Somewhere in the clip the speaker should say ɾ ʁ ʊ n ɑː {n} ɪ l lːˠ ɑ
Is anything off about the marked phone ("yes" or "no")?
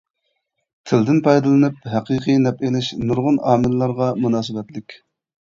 yes